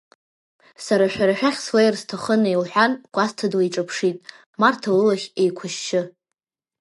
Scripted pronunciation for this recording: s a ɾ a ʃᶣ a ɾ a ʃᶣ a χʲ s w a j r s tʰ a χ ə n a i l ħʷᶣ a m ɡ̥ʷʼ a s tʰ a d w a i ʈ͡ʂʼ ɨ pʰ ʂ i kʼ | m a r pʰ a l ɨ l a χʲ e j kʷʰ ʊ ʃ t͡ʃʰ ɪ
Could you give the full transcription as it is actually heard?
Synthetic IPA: s a ɾ a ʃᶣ a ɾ a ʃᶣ a χʲ s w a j r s tʰ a χ ə n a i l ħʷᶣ a n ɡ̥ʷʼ a s tʰ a d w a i ʈ͡ʂʼ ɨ pʰ ʂ i tʼ | m a r tʰ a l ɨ l a χʲ e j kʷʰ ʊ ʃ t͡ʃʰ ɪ

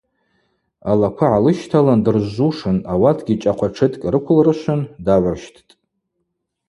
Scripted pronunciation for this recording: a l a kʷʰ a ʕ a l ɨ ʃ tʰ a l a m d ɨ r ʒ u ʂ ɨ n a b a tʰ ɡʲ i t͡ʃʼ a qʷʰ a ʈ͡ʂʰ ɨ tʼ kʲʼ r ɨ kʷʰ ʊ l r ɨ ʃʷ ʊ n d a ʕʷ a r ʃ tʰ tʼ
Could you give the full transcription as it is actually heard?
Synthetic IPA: a l a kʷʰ a ʕ a l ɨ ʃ tʰ a l a n d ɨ r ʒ u ʂ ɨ n a w a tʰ ɡʲ i t͡ʃʼ a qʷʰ a ʈ͡ʂʰ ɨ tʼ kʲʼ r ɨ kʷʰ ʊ l r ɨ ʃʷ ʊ n d a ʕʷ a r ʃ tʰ tʼ

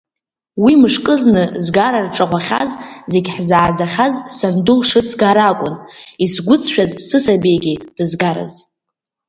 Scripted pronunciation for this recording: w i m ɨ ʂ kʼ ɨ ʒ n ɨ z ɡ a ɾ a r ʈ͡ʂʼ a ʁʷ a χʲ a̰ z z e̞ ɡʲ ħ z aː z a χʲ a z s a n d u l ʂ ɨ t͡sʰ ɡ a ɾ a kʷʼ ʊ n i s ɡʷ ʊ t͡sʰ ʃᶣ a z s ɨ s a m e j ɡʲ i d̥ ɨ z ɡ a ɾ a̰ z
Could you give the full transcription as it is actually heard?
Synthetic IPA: w i m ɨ ʂ kʼ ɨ z n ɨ z ɡ a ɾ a r ʈ͡ʂʼ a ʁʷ a χʲ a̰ z z e̞ ɡʲ ħ z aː d͡z a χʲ a z s a n d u l ʂ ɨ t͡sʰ ɡ a ɾ a kʷʼ ʊ n i s ɡʷ ʊ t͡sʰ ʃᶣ a z s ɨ s a b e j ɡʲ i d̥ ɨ z ɡ a ɾ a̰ z

